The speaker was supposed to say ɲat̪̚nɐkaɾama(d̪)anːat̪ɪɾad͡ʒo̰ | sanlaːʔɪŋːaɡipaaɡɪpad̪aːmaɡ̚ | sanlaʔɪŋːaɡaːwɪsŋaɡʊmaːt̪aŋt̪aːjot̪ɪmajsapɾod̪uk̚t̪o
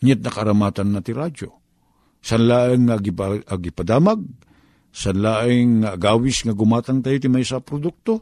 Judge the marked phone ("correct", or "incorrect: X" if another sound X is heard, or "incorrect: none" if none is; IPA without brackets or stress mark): incorrect: t̪